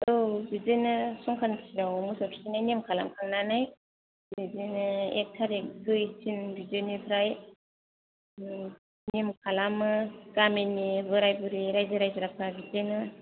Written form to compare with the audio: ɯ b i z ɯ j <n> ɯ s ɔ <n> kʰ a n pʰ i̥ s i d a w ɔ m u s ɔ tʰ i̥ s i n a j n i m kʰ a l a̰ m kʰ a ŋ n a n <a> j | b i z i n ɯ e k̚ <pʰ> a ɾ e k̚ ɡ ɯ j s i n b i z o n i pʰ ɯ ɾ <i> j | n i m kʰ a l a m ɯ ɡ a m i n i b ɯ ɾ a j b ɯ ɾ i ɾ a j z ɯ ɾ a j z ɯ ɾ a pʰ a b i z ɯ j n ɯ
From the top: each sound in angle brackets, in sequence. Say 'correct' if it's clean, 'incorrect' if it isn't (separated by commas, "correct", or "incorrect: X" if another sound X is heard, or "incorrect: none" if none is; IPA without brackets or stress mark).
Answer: correct, incorrect: ŋ, correct, incorrect: tʰ, incorrect: a